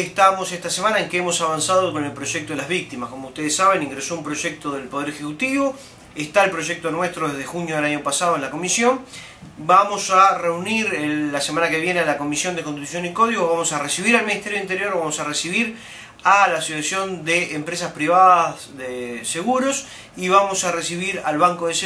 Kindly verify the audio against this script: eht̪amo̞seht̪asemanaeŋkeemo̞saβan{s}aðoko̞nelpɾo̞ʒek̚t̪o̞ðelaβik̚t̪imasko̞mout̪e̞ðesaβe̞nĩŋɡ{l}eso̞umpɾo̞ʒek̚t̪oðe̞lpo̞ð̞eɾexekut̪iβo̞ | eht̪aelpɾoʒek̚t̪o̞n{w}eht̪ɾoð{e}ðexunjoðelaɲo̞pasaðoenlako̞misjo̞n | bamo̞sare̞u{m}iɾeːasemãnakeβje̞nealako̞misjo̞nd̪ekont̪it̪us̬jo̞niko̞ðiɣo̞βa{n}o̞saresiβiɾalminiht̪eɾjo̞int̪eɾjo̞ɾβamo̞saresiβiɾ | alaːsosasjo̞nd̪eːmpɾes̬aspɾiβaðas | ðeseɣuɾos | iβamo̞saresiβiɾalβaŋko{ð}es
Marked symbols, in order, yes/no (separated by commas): yes, no, yes, yes, no, no, yes